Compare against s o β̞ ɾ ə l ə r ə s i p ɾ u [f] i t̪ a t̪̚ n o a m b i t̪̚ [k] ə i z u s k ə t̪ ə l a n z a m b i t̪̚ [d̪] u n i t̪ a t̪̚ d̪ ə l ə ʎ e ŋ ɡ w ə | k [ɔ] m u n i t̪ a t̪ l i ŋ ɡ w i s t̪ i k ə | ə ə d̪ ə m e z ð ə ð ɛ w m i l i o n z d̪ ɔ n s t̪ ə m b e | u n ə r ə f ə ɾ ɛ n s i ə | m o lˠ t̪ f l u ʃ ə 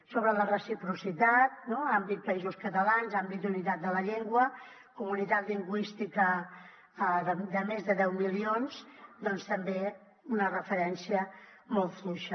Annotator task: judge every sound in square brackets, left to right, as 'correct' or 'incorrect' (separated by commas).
incorrect, incorrect, correct, incorrect